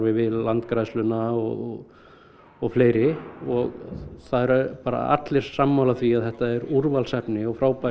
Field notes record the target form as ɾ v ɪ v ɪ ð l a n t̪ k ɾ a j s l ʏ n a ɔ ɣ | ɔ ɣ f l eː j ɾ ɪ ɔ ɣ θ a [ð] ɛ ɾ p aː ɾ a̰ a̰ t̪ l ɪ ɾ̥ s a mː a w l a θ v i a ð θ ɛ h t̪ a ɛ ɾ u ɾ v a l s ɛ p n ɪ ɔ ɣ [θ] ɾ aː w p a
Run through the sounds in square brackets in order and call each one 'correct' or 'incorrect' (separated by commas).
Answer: correct, incorrect